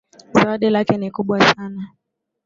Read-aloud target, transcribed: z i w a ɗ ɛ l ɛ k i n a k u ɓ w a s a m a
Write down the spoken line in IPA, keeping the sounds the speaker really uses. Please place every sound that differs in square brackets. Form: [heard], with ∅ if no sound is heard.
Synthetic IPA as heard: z [a] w a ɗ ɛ l [a] k [ɛ] n [i] k u ɓ w a s a [n] a

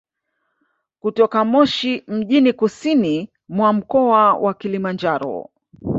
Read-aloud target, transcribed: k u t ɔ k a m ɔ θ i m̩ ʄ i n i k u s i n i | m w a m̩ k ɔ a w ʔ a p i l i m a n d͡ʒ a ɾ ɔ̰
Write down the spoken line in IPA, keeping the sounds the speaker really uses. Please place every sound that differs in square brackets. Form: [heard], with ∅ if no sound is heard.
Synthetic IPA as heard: k u t ɔ k a m ɔ [ʃ] i m̩ ʄ i n i k u s i n i | m w a m̩ k ɔ a w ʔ a [k] i l i m a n d͡ʒ a ɾ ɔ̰

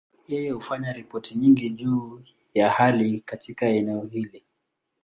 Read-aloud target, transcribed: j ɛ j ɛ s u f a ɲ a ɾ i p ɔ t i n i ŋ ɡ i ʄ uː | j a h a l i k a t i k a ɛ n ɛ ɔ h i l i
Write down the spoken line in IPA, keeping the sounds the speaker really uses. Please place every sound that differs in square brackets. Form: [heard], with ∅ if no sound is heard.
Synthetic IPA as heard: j ɛ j ɛ [h] u f a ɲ a ɾ i p ɔ t i [ɲ] i ŋ ɡ i ʄ uː | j a h a l i k a t i k a ɛ n ɛ ɔ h i l i

